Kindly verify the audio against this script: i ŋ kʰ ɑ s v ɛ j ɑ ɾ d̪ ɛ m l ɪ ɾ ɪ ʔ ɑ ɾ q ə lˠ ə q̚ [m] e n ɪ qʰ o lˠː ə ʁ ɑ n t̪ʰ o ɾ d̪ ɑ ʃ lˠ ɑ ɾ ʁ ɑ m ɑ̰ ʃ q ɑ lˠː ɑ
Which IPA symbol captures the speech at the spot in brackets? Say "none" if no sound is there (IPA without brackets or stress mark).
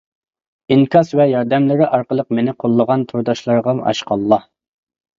m